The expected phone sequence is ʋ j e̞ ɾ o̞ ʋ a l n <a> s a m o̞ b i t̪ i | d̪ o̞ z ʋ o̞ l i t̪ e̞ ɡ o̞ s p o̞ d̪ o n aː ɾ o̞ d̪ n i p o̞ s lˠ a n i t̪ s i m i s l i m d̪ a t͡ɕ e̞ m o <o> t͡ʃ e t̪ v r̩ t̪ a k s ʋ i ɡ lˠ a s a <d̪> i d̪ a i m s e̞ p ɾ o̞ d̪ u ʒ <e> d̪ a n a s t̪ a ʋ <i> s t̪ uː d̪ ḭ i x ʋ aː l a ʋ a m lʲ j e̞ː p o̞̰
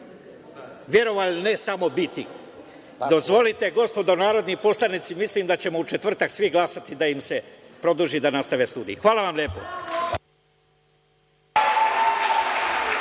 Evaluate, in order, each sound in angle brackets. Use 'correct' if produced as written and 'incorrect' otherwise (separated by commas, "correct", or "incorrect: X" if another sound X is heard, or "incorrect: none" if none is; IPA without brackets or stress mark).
incorrect: e, incorrect: u, incorrect: t̪, incorrect: i, incorrect: e